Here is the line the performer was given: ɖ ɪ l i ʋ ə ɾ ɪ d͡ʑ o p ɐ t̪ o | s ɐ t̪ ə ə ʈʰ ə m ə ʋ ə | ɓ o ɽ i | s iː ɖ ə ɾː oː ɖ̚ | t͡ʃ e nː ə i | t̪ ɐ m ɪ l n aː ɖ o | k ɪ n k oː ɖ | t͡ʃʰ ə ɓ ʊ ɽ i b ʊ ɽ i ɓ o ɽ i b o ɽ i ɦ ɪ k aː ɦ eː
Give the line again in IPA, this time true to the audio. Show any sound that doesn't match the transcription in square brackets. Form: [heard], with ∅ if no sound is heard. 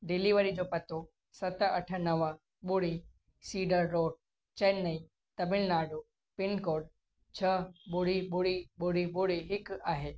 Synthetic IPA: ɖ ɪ l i ʋ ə ɾ [i] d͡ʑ o p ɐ t̪ o | s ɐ t̪ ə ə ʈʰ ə [n] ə ʋ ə | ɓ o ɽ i | s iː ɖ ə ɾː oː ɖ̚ | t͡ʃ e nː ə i | t̪ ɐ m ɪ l n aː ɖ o | [p] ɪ n k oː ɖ | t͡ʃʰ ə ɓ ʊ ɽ i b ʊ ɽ i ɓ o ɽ i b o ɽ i ɦ ɪ k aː ɦ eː

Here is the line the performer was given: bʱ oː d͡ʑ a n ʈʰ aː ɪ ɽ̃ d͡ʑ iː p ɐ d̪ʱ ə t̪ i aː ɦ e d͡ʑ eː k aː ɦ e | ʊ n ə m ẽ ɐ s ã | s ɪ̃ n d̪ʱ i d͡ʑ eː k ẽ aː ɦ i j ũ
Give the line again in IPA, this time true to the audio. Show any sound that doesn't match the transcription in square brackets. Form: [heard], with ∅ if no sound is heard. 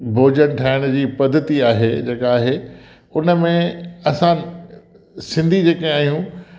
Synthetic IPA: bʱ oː d͡ʑ [ə] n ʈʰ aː ɪ ɽ̃ d͡ʑ iː p ɐ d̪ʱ ə t̪ i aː ɦ e d͡ʑ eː k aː ɦ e | ʊ n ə m ẽ ɐ s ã | s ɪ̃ n d̪ʱ i d͡ʑ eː k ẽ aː ɦ i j ũ

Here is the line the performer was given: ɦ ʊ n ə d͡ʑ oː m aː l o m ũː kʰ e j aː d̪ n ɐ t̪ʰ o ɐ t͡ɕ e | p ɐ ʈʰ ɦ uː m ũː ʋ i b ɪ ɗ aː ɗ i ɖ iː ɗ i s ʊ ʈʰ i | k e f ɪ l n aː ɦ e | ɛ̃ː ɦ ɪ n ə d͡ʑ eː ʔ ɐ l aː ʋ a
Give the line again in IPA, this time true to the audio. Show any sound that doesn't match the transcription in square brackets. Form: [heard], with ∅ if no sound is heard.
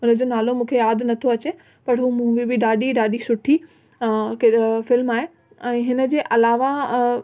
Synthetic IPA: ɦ ʊ n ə d͡ʑ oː [n] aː l o m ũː kʰ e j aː d̪ n ɐ t̪ʰ o ɐ t͡ɕ e | p ɐ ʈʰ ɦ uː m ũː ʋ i b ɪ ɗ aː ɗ i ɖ [aː] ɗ i s ʊ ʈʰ i | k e f ɪ l [m] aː ɦ e | ɛ̃ː ɦ ɪ n ə d͡ʑ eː ʔ ɐ l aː ʋ a

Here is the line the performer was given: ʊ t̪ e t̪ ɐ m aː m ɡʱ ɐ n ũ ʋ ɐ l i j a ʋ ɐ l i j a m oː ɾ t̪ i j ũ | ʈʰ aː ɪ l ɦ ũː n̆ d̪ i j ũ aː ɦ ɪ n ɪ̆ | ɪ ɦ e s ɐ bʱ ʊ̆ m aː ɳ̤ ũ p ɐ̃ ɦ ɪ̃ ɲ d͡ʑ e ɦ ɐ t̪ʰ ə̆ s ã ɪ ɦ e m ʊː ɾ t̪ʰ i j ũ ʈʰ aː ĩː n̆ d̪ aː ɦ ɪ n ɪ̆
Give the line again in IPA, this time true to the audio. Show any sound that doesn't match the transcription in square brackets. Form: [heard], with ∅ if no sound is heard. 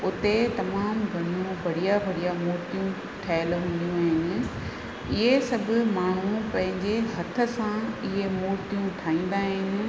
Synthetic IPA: ʊ t̪ e t̪ ɐ m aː m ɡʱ ɐ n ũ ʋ ɐ [ɽ] i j a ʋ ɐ [ɽ] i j a m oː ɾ t̪ i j ũ | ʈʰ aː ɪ l ɦ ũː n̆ d̪ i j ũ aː ɦ ɪ n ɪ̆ | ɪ ɦ e s ɐ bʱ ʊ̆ m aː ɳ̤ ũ p ɐ̃ ɦ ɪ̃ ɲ d͡ʑ e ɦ ɐ t̪ʰ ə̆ s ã ɪ ɦ e m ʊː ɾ [t̪] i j ũ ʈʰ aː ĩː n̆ d̪ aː ɦ ɪ n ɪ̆

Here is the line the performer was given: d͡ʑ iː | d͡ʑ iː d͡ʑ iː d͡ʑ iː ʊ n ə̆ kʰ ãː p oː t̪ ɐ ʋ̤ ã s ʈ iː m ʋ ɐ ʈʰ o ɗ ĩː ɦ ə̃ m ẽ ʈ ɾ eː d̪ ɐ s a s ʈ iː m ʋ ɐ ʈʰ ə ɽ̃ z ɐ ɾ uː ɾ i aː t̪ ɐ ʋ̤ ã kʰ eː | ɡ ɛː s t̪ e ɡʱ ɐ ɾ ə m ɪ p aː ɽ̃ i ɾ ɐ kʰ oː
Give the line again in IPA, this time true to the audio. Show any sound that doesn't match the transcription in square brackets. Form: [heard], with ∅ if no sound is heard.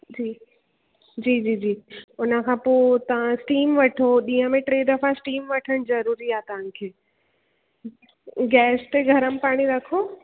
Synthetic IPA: d͡ʑ iː | d͡ʑ iː d͡ʑ iː d͡ʑ iː ʊ n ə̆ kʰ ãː p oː t̪ ɐ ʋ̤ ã s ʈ iː m ʋ ɐ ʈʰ o ɗ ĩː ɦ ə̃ m ẽ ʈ ɾ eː d̪ ɐ [f] a s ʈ iː m ʋ ɐ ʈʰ ə ɽ̃ z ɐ ɾ uː ɾ i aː t̪ ɐ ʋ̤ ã kʰ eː | ɡ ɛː s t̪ e ɡʱ ɐ ɾ ə m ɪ p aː ɽ̃ i ɾ ɐ kʰ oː

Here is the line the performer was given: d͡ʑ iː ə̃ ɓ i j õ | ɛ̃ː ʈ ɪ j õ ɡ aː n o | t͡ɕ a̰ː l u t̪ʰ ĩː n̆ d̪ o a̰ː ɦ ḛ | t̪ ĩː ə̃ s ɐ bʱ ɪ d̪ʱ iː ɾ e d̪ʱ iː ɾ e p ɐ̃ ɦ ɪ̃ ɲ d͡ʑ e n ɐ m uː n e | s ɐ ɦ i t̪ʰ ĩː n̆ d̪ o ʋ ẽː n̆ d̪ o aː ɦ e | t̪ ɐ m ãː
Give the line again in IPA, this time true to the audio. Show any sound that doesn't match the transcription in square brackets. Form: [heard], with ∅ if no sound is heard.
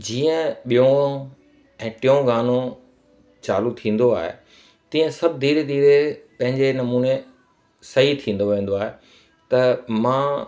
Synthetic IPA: d͡ʑ iː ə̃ ɓ i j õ | ɛ̃ː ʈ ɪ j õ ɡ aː n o | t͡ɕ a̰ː l u t̪ʰ ĩː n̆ d̪ o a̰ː ɦ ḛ | t̪ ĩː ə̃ s ɐ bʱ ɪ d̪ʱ iː ɾ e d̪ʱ iː ɾ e p ɐ̃ ɦ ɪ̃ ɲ d͡ʑ e n ɐ m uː n e | s ɐ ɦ i t̪ʰ ĩː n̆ d̪ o ʋ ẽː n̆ d̪ o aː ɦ e | t̪ ɐ m ãː

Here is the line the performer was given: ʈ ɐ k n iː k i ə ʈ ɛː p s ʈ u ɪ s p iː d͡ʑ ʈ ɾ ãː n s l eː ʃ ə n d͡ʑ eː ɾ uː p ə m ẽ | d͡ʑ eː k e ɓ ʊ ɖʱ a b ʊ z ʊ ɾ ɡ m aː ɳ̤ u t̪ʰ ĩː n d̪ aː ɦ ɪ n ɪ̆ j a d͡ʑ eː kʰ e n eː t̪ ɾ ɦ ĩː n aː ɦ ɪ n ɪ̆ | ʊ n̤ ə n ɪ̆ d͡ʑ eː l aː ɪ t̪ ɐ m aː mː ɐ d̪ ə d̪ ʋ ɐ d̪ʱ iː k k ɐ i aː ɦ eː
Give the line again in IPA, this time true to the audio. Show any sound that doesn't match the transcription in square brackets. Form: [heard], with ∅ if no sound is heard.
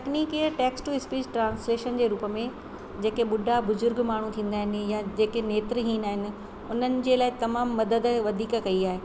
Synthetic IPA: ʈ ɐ k n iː k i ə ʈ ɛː [k] s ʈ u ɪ s p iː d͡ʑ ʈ ɾ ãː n s l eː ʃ ə n d͡ʑ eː ɾ uː p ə m ẽ | d͡ʑ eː k e ɓ ʊ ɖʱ a b ʊ z ʊ ɾ ɡ m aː ɳ̤ u t̪ʰ ĩː n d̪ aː ɦ ɪ n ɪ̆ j a d͡ʑ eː [k] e n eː t̪ ɾ ɦ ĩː n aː ɦ ɪ n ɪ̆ | ʊ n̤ ə n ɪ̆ d͡ʑ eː l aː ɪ t̪ ɐ m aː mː ɐ d̪ ə d̪ ʋ ɐ d̪ʱ iː k k ɐ i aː ɦ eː

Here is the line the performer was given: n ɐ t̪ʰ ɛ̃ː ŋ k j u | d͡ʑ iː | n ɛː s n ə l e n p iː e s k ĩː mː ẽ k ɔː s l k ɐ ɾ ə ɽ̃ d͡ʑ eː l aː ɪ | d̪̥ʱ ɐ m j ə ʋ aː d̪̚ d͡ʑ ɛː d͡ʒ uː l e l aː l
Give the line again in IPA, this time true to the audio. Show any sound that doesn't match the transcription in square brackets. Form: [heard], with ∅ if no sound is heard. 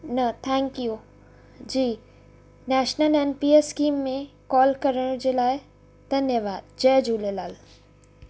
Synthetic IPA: n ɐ t̪ʰ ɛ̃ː ŋ k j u | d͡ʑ iː | n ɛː [ʃ] n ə l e n p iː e s k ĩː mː ẽ k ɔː [∅] l k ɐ ɾ ə ɽ̃ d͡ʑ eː l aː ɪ | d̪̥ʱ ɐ [n] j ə ʋ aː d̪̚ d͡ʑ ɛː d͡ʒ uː l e l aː l

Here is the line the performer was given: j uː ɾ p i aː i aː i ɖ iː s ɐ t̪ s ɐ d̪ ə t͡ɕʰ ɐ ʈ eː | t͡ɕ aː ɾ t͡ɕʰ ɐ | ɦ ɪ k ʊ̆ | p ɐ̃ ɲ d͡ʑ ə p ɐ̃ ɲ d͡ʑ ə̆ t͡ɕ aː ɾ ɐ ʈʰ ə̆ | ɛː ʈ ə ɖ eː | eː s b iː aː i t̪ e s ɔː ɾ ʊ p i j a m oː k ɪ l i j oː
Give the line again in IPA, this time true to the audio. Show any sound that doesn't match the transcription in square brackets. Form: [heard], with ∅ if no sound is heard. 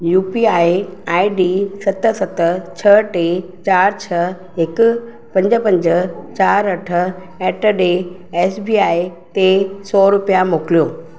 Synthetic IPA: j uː [∅] p i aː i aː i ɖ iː s ɐ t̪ s ɐ [t̪] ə t͡ɕʰ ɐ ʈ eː | t͡ɕ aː ɾ t͡ɕʰ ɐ | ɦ ɪ k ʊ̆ | p ɐ̃ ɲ d͡ʑ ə p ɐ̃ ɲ d͡ʑ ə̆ t͡ɕ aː ɾ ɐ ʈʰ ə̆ | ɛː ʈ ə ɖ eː | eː s b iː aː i t̪ e s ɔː ɾ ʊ p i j a m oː k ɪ l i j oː

